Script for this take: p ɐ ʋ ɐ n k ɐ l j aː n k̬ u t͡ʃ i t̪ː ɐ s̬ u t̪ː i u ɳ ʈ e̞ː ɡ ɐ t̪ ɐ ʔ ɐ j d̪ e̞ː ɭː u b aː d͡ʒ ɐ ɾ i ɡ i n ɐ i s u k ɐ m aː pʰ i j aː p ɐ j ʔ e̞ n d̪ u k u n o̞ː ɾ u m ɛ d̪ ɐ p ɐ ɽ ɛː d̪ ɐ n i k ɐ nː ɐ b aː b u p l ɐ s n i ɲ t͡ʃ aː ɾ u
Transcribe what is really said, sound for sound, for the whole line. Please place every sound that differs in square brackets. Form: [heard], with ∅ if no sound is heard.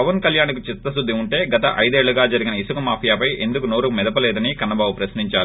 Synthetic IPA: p ɐ ʋ ɐ n k ɐ l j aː n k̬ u t͡ʃ i t̪ː ɐ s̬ u [d̪ː] i u ɳ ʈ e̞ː ɡ ɐ t̪ ɐ ʔ ɐ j d̪ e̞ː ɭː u [ɡ] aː d͡ʒ ɐ ɾ i ɡ i n ɐ i s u k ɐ m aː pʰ i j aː p ɐ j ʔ e̞ n d̪ u k u n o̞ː ɾ u m ɛ d̪ ɐ p ɐ [l] ɛː d̪ ɐ n i k ɐ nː ɐ b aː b u p [ɾ] ɐ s n i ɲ t͡ʃ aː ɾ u